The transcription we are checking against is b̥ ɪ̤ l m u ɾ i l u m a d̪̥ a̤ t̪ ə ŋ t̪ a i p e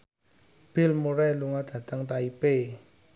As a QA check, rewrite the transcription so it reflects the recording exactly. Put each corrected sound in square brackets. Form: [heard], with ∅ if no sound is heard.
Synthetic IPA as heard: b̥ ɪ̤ l m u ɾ [ɛ] l u [ŋ] a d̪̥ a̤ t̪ ə ŋ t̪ a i p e